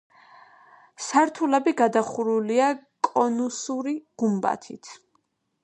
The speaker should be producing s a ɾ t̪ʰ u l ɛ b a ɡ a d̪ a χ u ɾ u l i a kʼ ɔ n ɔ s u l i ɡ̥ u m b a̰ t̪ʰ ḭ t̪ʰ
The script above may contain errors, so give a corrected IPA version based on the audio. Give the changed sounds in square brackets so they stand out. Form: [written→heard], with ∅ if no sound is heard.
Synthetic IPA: s a ɾ t̪ʰ u l ɛ b [a→i] ɡ a d̪ a χ u ɾ u l i a kʼ ɔ n [ɔ→u] s u [l→ɾ] i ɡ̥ u m b a̰ t̪ʰ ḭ t̪ʰ